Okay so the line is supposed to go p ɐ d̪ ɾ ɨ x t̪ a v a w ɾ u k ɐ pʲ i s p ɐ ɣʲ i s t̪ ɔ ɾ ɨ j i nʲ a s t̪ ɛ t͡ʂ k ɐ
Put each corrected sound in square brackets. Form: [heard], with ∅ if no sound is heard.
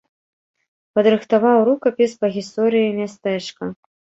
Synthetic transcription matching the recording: p ɐ d̪ ɾ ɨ x t̪ a v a w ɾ u k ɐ pʲ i s p ɐ ɣʲ i s t̪ ɔ ɾ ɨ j i [mʲ] a s t̪ ɛ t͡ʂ k ɐ